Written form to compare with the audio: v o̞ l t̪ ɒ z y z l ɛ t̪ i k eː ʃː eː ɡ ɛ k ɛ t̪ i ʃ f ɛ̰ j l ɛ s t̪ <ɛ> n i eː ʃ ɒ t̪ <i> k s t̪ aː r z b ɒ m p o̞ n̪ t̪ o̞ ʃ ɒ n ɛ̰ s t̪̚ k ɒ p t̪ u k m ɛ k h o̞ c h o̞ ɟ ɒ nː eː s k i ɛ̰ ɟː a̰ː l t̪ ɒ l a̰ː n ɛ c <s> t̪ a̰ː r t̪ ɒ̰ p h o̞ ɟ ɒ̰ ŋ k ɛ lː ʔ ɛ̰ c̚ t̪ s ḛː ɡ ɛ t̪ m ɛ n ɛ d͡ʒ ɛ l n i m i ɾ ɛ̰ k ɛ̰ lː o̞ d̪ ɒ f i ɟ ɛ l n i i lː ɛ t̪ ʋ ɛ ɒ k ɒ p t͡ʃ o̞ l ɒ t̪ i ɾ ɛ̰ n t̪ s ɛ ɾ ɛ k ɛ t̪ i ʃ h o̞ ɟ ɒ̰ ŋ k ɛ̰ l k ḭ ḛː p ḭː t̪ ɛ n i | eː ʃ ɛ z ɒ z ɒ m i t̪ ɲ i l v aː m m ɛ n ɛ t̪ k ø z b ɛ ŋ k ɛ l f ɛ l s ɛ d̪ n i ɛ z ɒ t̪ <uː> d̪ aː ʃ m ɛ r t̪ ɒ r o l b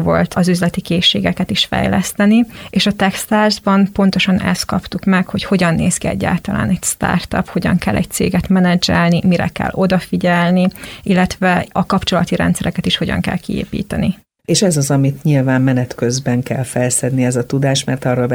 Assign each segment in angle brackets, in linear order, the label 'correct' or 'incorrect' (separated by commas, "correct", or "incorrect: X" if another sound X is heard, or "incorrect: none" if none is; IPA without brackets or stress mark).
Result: correct, incorrect: ɛ, correct, incorrect: u